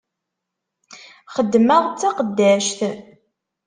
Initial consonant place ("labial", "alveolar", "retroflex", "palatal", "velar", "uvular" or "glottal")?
uvular